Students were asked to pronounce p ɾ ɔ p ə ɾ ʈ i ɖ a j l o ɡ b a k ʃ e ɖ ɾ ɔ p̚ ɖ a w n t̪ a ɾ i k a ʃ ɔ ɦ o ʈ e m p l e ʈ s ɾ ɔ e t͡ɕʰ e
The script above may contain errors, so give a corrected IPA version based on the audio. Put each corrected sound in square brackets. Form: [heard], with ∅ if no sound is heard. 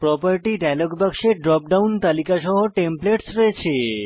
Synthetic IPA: p ɾ ɔ p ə ɾ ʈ i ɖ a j l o ɡ b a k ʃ e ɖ ɾ ɔ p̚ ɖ a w n t̪ a [l] i k a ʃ ɔ ɦ o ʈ e m p l e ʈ s ɾ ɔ e t͡ɕʰ e